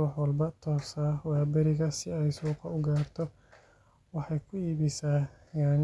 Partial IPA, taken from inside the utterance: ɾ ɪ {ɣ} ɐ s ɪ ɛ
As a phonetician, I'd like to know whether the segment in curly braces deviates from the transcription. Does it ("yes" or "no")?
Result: no